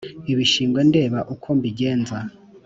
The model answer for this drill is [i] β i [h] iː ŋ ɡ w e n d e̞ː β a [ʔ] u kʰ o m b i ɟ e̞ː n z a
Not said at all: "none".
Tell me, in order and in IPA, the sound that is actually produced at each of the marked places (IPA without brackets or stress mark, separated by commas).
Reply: i, ʃ, ʔ